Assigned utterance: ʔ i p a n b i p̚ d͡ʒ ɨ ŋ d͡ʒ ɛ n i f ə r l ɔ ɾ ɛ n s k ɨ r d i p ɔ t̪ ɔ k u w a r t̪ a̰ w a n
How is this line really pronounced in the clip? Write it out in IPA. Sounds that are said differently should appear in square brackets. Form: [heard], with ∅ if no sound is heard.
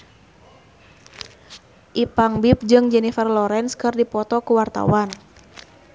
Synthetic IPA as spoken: ʔ i p a [ŋ] b i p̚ d͡ʒ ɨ ŋ d͡ʒ ɛ n i f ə r l ɔ ɾ ɛ n s k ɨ r d i p ɔ t̪ ɔ k u w a r t̪ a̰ w a n